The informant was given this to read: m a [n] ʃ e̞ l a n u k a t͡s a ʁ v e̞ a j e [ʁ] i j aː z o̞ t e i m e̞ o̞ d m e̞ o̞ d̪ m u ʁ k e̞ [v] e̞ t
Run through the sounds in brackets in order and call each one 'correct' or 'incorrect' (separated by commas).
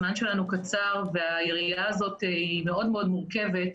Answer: correct, correct, correct